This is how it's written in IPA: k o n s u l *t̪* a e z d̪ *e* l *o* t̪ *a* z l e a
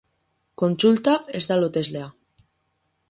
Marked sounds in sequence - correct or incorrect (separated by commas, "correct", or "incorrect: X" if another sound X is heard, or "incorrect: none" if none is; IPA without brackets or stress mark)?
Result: correct, incorrect: a, correct, incorrect: e